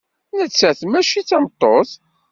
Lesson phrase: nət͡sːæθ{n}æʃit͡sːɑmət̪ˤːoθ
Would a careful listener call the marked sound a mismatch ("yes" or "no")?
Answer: yes